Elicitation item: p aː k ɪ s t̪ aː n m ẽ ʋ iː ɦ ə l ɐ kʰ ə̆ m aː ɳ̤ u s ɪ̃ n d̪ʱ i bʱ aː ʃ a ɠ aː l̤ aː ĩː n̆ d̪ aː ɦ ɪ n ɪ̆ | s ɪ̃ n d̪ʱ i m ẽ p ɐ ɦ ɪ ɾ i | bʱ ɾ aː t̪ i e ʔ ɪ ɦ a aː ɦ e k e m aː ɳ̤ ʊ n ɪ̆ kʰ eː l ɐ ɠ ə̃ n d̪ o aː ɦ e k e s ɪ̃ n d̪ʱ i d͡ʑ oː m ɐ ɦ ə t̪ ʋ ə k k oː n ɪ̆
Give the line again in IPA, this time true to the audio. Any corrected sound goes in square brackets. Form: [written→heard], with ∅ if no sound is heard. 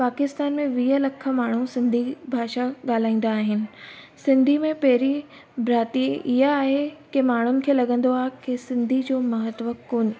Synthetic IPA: p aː k ɪ s t̪ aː n m ẽ ʋ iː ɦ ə l ɐ kʰ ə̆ m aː ɳ̤ u s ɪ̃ n d̪ʱ i bʱ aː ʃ a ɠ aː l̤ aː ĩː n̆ d̪ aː ɦ ɪ n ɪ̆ | s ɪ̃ n d̪ʱ i m ẽ p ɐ ɦ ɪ ɾ i | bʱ ɾ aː t̪ i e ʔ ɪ ɦ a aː ɦ e k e m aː ɳ̤ ʊ n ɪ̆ kʰ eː l ɐ ɠ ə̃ n d̪ o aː ɦ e k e s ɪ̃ n d̪ʱ i d͡ʑ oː m ɐ ɦ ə t̪ ʋ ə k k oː n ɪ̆